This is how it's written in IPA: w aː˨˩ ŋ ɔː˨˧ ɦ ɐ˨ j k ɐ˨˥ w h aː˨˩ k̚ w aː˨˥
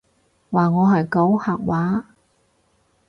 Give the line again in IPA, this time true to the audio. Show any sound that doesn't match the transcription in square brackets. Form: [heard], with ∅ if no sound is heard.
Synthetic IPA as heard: w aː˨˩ ŋ ɔː˨˧ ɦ ɐ˨ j k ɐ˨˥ w h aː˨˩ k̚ w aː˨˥